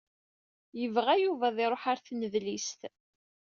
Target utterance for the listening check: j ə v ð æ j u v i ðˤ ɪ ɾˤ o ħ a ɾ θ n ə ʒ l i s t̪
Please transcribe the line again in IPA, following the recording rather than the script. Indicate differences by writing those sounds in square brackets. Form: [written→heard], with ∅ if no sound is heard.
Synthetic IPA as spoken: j ə v [ð→ʁ] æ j u v [i→æ] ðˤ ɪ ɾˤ o ħ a ɾ θ n ə [ʒ→ð] l i s t̪